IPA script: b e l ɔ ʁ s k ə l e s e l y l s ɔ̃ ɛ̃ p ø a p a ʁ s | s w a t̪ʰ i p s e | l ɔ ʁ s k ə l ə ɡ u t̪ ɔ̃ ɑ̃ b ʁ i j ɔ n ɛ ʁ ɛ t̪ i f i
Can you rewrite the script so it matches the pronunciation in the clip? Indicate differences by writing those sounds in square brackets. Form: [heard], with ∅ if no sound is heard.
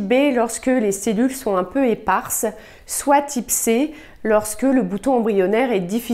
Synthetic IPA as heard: b e l ɔ ʁ s k ə l e s e l y l s ɔ̃ ɛ̃ p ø [e] p a ʁ s | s w a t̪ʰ i p s e | l ɔ ʁ s k ə l ə [b] u t̪ ɔ̃ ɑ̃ b ʁ i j ɔ n ɛ ʁ ɛ [d̪] i f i

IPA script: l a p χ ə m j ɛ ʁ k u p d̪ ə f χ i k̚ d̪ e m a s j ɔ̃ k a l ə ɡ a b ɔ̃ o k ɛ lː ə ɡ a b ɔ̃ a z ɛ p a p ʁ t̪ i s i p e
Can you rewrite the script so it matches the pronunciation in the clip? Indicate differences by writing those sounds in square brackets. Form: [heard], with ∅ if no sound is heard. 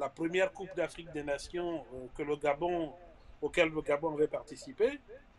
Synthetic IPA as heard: l a p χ ə m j ɛ ʁ k u p d̪ [a] f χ i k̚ d̪ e [n] a s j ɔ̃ k [ə] l ə ɡ a b ɔ̃ o k ɛ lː ə ɡ a b ɔ̃ a [v] ɛ p a [∅] ʁ t̪ i s i p e

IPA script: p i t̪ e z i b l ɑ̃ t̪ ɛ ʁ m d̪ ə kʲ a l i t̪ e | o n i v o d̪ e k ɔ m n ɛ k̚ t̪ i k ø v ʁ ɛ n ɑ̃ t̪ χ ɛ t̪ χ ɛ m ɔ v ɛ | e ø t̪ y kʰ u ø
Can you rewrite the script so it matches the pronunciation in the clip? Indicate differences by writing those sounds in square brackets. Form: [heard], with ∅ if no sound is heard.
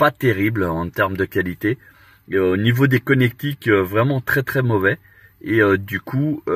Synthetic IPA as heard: p [a] t̪ e [ʁ] i b l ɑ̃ t̪ ɛ ʁ m d̪ ə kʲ a l i t̪ e | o n i v o d̪ e k ɔ [∅] n ɛ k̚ t̪ i k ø v ʁ ɛ [m] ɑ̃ t̪ χ ɛ t̪ χ ɛ m ɔ v ɛ | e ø [d̪] y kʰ u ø

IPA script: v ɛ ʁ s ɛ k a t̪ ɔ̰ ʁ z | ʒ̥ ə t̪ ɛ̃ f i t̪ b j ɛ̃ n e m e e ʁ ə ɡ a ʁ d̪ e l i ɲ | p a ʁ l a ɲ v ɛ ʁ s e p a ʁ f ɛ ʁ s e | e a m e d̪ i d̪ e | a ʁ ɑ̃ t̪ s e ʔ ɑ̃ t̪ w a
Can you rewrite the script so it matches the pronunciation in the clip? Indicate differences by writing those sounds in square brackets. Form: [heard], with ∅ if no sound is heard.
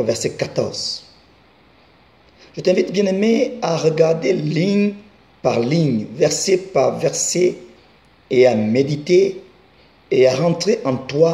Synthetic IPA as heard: v ɛ ʁ s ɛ k a t̪ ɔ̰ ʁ z | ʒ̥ ə t̪ ɛ̃ [v] i t̪ b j ɛ̃ n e m e [a] ʁ ə ɡ a ʁ d̪ e l i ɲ | p a ʁ l [i] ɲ v ɛ ʁ s e p a ʁ [v] ɛ ʁ s e | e a m e d̪ i [t̪] e | a ʁ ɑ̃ t̪ [χ] e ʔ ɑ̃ t̪ w a

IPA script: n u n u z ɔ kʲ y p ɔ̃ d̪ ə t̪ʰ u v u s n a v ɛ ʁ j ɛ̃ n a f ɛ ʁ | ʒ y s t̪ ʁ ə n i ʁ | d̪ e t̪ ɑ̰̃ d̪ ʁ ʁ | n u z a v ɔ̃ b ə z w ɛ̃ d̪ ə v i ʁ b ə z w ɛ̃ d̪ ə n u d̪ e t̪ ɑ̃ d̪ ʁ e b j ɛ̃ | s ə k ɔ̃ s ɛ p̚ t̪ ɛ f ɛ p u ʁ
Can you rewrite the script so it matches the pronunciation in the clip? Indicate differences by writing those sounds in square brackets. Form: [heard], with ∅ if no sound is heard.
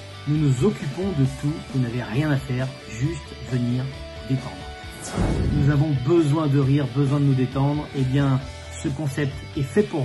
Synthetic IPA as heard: n u n u z ɔ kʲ y p ɔ̃ d̪ ə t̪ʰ u v u [∅] n a v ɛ ʁ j ɛ̃ n a f ɛ ʁ | ʒ y s t̪ [v] ə n i ʁ | d̪ e t̪ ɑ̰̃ d̪ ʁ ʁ | n u z a v ɔ̃ b ə z w ɛ̃ d̪ ə [ʁ] i ʁ b ə z w ɛ̃ d̪ ə n u d̪ e t̪ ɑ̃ d̪ ʁ e b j ɛ̃ | s ə k ɔ̃ s ɛ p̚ t̪ ɛ f ɛ p u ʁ

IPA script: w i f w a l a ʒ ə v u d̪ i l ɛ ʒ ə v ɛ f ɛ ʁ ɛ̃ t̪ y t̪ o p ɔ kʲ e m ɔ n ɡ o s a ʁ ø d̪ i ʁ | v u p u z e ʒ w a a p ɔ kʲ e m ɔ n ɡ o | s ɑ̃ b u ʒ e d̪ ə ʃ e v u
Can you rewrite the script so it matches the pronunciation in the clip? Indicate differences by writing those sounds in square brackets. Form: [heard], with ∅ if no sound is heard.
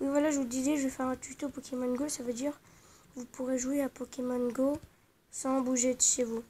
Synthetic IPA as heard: w i [v] w a l a ʒ ə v u d̪ i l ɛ ʒ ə v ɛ f ɛ ʁ ɛ̃ t̪ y t̪ o p ɔ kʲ e m ɔ n ɡ o s a [v] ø d̪ i ʁ | v u p u [ʁ] e ʒ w [e] a p ɔ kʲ e m ɔ n ɡ o | s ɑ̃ b u ʒ e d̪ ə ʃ e v u

